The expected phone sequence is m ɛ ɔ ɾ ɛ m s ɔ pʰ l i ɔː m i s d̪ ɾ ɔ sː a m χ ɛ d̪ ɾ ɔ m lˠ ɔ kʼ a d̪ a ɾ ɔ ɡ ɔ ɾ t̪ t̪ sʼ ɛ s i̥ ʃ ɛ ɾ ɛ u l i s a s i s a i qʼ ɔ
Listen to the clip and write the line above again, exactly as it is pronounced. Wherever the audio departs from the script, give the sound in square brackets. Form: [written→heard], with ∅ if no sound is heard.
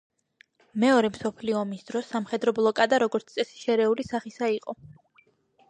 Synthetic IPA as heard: m ɛ ɔ ɾ ɛ m s ɔ pʰ l i ɔː m i s d̪ ɾ ɔ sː a m χ ɛ d̪ ɾ ɔ [m→b] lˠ ɔ kʼ a d̪ a ɾ ɔ ɡ ɔ ɾ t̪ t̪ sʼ ɛ s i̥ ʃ ɛ ɾ ɛ u l i s a [s→χ] i s a i qʼ ɔ

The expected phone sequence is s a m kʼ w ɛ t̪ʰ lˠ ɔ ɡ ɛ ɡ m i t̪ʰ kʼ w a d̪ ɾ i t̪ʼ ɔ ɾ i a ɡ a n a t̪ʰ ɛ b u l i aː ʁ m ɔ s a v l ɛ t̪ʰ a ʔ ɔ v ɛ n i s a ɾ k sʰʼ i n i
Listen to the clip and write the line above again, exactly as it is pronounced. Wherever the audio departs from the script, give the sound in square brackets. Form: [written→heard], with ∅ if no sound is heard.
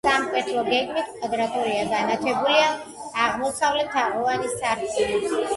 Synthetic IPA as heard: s a m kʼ w ɛ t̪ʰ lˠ ɔ ɡ ɛ ɡ m i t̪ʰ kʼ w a d̪ ɾ [i→a] t̪ʼ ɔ ɾ i a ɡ a n a t̪ʰ ɛ b u l i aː ʁ m ɔ s a v l ɛ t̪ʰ a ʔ ɔ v [ɛ→a] n i s a ɾ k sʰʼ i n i

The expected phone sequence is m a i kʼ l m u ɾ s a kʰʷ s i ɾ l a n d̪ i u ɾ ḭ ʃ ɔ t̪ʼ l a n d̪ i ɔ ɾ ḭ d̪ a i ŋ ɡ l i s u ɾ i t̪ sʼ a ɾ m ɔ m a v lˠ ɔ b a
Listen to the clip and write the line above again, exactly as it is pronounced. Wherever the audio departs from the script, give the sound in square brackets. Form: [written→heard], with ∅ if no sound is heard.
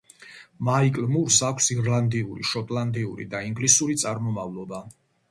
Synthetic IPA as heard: m a i kʼ l m u ɾ s a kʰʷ s i ɾ l a n d̪ i u ɾ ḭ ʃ ɔ t̪ʼ l a n d̪ i [ɔ→u] ɾ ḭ d̪ a i ŋ ɡ l i s u ɾ i t̪ sʼ a ɾ m ɔ m a v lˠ ɔ b a

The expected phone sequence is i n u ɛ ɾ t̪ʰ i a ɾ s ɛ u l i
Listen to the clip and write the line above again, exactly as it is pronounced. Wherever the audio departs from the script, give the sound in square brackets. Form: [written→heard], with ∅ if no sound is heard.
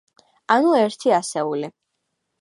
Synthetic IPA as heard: [i→a] n u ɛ ɾ t̪ʰ i a [ɾ→∅] s ɛ u l i

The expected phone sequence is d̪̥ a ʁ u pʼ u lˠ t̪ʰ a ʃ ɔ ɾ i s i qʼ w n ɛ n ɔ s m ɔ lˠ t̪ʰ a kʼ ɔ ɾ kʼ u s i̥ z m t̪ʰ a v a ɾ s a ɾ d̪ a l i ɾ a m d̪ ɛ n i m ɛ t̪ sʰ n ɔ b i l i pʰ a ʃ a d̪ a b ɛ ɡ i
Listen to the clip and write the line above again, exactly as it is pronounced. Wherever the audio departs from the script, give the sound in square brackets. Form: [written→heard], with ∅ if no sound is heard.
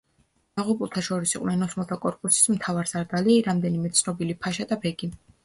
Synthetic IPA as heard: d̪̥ a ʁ u pʼ u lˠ t̪ʰ a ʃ ɔ ɾ i s i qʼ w n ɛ n ɔ s m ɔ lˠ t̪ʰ a kʼ ɔ ɾ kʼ u s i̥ [z→s] m t̪ʰ a v a ɾ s a ɾ d̪ a l i ɾ a m d̪ ɛ n i m ɛ t̪ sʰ n ɔ b i l i pʰ a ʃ a d̪ a b ɛ ɡ i

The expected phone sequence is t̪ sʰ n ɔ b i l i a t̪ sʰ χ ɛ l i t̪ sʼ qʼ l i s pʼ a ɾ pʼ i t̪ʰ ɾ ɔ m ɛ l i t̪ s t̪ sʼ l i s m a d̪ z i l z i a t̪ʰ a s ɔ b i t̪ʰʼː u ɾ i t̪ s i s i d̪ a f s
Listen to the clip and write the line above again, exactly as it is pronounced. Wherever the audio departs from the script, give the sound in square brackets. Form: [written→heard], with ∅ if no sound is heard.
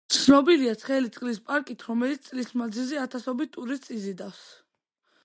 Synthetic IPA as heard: t̪ sʰ n ɔ b i l i a t̪ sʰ χ ɛ l i t̪ sʼ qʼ l i s pʼ a ɾ [pʼ→kʼ] i t̪ʰ ɾ ɔ m ɛ l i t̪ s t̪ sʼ l i s m a d̪ z i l z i a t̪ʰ a s ɔ b i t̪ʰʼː u ɾ i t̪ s i [s→z] i d̪ a f s

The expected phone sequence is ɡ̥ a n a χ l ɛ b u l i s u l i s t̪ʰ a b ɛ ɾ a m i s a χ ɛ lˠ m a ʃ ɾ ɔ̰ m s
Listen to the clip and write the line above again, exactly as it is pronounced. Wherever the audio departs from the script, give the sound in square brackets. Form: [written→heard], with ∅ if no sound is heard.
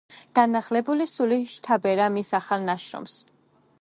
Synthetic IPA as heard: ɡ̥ a n a χ l ɛ b u l i s u l i [s→ʃ] t̪ʰ a b ɛ ɾ a m i s a χ [ɛ→a] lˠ [m→n] a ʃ ɾ ɔ̰ m s

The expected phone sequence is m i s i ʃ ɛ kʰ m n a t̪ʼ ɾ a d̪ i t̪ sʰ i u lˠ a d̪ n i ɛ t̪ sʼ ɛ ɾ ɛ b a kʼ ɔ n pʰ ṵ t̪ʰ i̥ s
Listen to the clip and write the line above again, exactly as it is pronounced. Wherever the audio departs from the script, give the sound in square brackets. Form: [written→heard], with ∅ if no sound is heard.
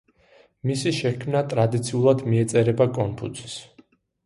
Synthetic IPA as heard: m i s i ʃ ɛ kʰ m n a t̪ʼ ɾ a d̪ i t̪ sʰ i u lˠ a d̪ [n→m] i ɛ t̪ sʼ ɛ ɾ ɛ b a kʼ ɔ n pʰ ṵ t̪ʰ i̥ s

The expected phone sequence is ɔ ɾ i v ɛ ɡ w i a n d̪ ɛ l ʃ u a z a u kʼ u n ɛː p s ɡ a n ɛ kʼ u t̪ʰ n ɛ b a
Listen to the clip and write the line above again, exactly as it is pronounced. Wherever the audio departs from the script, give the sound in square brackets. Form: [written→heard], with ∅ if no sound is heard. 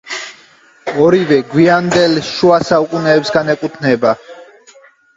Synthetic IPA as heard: ɔ ɾ i v ɛ ɡ w i a n d̪ ɛ l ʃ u a [z→s] a u kʼ u n ɛː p s ɡ a n ɛ kʼ u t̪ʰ n ɛ b a

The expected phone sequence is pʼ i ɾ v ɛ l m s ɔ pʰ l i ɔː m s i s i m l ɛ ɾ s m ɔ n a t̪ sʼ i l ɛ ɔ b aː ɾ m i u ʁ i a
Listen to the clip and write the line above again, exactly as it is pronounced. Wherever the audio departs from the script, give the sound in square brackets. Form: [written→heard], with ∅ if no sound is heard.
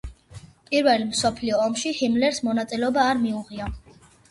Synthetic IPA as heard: pʼ i ɾ v ɛ l m s ɔ pʰ l i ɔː m [s→ʃ] i [s→h] i m l ɛ ɾ s m ɔ n a t̪ sʼ i l ɛ ɔ b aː ɾ m i u ʁ i a

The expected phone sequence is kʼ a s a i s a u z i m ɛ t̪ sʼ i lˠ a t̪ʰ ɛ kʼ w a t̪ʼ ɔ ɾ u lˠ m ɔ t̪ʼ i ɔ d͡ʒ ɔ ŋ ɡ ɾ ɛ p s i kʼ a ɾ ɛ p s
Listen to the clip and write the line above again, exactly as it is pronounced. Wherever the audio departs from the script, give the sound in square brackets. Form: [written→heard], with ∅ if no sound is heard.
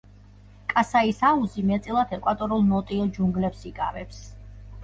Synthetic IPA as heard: kʼ a s a i s a u z i m ɛ t̪ sʼ i lˠ a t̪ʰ ɛ kʼ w a t̪ʼ ɔ ɾ u lˠ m ɔ t̪ʼ i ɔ d͡ʒ [ɔ→u] ŋ ɡ [ɾ→l] ɛ p s i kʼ a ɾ ɛ p s

